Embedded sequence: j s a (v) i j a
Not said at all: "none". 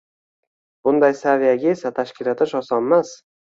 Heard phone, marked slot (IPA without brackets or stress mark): v